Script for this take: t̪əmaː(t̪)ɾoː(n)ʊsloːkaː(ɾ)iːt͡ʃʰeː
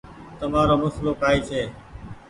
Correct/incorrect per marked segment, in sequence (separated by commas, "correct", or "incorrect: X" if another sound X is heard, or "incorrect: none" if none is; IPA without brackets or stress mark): incorrect: none, incorrect: m, incorrect: none